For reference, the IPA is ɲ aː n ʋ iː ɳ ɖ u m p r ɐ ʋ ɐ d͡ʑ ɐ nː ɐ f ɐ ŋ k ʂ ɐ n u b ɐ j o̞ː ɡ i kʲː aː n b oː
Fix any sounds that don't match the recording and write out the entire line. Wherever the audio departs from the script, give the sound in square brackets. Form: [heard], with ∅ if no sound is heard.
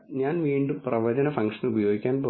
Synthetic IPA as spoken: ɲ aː n ʋ iː ɳ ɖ u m p r ɐ ʋ ɐ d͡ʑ ɐ [n] ɐ f ɐ ŋ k ʂ ɐ n u b ɐ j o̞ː ɡ i kʲː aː n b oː